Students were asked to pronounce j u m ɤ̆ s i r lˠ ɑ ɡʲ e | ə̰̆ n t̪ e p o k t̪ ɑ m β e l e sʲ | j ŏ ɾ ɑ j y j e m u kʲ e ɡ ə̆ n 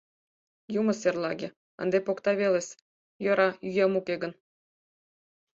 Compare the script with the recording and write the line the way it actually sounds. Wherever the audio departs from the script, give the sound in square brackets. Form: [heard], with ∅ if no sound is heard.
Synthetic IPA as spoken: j u m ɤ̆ s [e] r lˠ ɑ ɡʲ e | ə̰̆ n [d̪] e p o k t̪ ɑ [∅] β e l e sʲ | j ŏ ɾ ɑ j y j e m u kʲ e ɡ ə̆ n